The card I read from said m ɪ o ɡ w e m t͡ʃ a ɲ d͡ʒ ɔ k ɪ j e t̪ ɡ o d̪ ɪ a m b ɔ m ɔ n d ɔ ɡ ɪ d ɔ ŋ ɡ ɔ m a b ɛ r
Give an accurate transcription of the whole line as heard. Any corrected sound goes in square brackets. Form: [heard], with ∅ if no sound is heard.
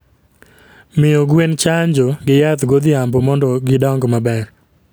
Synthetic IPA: m ɪ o ɡ w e [n] t͡ʃ a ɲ d͡ʒ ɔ [ɡ] ɪ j [a] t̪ ɡ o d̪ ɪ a m b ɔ m ɔ n d ɔ ɡ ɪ d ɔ ŋ ɡ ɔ m a b ɛ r